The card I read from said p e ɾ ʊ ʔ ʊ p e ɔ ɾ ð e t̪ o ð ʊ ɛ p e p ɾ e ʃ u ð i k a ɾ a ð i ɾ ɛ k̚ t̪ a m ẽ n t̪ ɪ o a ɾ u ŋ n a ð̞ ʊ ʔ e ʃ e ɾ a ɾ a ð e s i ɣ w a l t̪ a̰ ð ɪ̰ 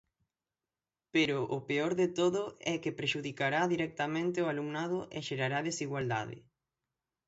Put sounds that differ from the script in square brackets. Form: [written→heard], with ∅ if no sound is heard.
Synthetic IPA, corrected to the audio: p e ɾ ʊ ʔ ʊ p e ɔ ɾ ð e t̪ o ð ʊ ɛ [p→k] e p ɾ e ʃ u ð i k a ɾ a ð i ɾ ɛ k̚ t̪ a m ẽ n t̪ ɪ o a [ɾ→l] u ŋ n a ð̞ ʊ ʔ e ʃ e ɾ a ɾ a ð e s i ɣ w a l [t̪→d̪] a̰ ð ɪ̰

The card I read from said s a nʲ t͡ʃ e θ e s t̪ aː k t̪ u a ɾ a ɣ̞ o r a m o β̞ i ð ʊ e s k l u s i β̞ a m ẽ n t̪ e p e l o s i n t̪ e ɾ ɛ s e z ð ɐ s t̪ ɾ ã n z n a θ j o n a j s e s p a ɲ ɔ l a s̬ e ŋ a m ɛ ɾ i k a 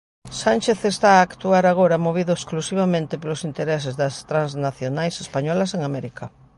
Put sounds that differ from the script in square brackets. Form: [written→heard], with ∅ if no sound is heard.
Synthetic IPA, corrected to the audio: s a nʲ t͡ʃ e θ e s t̪ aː k t̪ u a ɾ a ɣ̞ o [r→ɾ] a m o β̞ i ð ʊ e s k l u s i β̞ a m ẽ n t̪ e p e l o s i n t̪ e ɾ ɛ s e z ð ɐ s t̪ ɾ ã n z n a θ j o n a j s e s p a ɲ ɔ l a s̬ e ŋ a m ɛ ɾ i k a

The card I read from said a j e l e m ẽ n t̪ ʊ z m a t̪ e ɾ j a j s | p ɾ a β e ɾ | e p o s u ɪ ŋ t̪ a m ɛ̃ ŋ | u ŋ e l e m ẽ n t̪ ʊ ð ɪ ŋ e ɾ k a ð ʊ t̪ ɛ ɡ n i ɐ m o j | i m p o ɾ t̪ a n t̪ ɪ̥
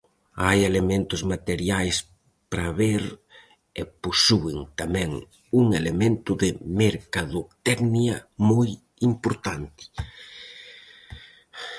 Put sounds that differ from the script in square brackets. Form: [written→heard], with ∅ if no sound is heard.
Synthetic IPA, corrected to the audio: a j e l e m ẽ n t̪ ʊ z m a t̪ e ɾ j a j s | p ɾ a β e ɾ | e p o s u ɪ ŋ t̪ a m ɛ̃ ŋ | u ŋ e l e m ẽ n t̪ ʊ ð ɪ [ŋ→m] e ɾ k a ð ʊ t̪ ɛ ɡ n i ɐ m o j | i m p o ɾ t̪ a n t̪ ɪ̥

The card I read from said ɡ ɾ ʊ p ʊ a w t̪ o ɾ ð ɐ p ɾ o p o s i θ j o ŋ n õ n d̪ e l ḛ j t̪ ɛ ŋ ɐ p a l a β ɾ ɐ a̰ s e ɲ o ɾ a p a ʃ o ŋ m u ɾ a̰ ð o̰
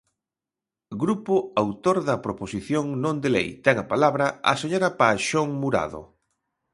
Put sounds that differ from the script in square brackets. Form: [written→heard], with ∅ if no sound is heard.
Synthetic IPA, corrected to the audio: ɡ ɾ [ʊ→u] p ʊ a w t̪ o ɾ ð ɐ p ɾ o p o s i θ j o ŋ n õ n d̪ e l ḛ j t̪ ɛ ŋ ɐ p a l a β ɾ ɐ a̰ s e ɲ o ɾ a p a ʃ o ŋ m u ɾ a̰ ð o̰

